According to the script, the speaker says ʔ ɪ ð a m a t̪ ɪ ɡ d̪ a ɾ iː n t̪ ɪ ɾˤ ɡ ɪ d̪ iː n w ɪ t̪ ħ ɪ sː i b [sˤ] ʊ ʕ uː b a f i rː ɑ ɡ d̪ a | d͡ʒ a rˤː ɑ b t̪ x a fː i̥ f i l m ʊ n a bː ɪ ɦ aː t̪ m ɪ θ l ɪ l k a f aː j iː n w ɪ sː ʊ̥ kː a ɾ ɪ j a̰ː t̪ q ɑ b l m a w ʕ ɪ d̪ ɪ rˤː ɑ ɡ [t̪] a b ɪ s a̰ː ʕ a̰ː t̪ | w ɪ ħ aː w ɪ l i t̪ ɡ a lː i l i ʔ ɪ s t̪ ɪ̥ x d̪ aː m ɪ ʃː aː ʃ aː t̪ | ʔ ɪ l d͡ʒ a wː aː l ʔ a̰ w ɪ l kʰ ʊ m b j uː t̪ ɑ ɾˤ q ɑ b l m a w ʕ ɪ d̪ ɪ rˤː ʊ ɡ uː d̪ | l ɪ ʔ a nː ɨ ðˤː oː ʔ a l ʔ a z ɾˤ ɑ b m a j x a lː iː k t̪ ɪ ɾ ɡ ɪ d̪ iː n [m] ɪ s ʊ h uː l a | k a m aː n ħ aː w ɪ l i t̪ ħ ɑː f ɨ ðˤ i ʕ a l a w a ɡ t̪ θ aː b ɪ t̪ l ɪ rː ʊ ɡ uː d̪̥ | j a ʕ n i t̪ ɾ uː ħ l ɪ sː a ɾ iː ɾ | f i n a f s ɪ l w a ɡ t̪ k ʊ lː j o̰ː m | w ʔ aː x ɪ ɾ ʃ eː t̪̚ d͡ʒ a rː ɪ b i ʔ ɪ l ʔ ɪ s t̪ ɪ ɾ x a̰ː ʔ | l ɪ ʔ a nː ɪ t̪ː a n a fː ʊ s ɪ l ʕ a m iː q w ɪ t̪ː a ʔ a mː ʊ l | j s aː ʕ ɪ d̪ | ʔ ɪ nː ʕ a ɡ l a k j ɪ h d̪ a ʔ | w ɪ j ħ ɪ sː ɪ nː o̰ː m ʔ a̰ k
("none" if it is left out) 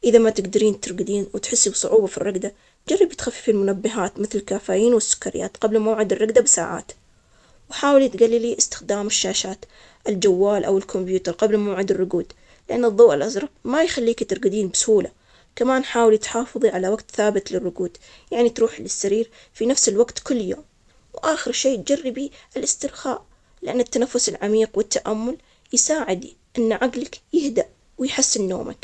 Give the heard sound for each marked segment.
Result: sˤ, d̪, b

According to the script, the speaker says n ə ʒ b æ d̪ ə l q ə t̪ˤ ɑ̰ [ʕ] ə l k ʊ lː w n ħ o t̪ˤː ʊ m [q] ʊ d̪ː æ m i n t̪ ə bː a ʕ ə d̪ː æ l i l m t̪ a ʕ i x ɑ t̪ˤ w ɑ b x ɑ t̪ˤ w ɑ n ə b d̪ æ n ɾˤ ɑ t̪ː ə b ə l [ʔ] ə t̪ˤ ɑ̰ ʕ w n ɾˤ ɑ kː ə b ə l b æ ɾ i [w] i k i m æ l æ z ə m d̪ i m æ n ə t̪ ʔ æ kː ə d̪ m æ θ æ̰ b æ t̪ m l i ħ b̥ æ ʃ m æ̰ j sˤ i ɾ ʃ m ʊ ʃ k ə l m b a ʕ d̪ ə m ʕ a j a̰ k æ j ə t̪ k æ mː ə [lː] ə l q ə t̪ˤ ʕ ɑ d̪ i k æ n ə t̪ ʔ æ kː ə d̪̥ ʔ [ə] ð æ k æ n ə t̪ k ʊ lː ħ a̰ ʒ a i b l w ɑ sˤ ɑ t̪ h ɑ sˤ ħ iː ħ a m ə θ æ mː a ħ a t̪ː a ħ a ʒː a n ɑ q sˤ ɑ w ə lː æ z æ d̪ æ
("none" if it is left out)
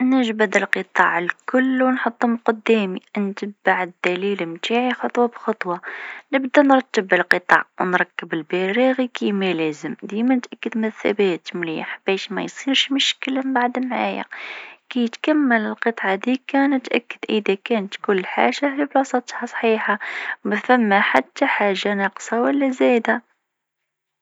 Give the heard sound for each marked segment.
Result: ʕ, q, q, ɣ, l, ə

